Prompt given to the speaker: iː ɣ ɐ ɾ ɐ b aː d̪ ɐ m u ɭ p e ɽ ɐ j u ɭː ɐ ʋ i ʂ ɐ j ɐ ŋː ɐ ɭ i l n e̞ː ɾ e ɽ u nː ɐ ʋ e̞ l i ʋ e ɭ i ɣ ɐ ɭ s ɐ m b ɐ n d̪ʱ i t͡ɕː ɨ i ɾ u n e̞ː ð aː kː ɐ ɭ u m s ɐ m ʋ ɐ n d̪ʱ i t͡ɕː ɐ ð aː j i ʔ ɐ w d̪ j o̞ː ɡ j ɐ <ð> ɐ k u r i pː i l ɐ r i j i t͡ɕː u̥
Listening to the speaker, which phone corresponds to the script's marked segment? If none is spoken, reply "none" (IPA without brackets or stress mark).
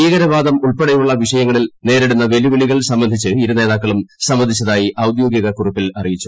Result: ɣ